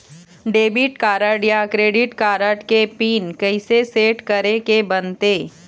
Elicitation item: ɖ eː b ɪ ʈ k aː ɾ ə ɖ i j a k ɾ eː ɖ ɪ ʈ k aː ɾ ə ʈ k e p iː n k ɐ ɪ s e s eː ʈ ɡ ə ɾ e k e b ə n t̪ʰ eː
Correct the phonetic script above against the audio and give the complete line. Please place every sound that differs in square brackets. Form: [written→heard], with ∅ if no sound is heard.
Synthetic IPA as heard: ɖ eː b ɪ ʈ k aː ɾ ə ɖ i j a k ɾ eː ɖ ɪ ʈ k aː ɾ ə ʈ k e p iː n k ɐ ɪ s e s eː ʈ [ɡ→k] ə ɾ e k e b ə n [t̪ʰ→t̪] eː